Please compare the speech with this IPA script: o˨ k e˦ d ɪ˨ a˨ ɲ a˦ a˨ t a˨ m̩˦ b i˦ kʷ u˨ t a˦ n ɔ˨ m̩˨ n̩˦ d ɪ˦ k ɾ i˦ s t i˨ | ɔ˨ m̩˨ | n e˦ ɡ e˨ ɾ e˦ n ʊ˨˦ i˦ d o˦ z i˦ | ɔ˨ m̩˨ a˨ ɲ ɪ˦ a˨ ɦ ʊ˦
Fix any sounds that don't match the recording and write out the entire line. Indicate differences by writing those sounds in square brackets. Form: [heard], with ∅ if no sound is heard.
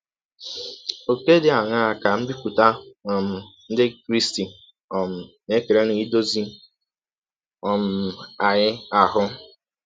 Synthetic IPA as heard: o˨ k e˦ d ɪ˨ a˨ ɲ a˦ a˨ [k] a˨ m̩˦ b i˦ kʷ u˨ t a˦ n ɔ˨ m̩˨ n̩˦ d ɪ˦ k ɾ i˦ s t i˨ | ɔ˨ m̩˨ | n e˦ [k] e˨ ɾ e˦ n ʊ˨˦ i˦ d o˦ z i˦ | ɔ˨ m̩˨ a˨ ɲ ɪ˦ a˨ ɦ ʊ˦